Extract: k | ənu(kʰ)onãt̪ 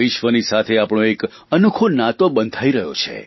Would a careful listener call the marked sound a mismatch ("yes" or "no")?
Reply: no